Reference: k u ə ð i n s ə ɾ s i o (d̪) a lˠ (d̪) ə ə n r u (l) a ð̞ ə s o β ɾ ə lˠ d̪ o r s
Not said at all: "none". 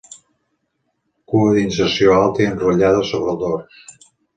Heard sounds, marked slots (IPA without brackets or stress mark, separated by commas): none, t̪, ʎ